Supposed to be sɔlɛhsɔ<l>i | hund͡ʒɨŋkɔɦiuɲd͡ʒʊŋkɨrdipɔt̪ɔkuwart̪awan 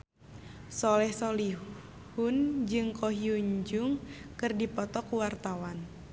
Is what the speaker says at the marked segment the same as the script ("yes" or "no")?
yes